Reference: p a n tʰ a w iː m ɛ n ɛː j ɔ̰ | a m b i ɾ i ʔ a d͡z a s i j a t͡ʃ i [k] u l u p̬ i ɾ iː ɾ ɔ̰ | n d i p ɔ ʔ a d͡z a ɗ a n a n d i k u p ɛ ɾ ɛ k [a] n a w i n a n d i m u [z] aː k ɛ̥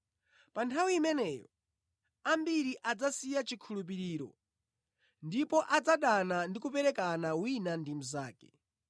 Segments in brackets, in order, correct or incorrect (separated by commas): incorrect, correct, correct